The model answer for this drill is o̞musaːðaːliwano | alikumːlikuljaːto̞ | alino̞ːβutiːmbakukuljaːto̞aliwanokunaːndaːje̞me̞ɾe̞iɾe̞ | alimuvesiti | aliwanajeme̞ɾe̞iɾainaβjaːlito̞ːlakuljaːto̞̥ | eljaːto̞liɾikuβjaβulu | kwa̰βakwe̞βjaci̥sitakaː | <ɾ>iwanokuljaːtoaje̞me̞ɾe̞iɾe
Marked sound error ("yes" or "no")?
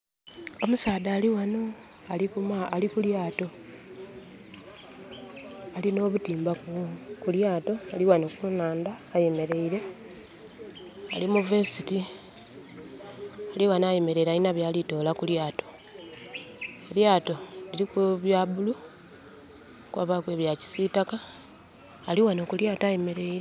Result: yes